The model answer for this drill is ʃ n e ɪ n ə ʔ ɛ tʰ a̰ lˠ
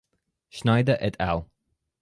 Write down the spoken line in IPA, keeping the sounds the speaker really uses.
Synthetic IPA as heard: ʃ n a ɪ d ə ʔ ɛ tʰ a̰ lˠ

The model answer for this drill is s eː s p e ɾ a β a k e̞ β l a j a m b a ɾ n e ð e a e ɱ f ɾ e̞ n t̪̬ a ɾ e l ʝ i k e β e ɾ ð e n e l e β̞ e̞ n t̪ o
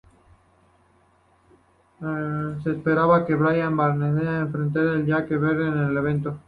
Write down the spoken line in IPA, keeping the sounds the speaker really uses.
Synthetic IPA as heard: s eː s p e ɾ a β a k e̞ β ɾ a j a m b a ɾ n e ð e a e ɱ f ɾ e̞ n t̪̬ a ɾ e l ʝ a k e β e ɾ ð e n e l e β̞ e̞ n t̪ o

